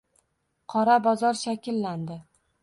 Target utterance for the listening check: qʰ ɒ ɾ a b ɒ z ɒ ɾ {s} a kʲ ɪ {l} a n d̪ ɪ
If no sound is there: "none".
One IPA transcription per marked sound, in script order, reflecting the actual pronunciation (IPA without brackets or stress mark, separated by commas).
ʃ, lː